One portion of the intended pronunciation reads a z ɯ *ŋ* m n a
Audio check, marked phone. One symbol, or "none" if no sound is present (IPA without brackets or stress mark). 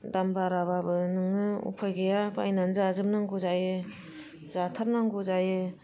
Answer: none